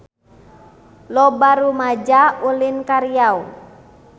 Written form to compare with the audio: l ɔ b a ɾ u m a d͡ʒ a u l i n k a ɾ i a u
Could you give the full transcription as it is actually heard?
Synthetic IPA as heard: l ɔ b a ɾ u m a d͡ʒ a u l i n k a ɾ i a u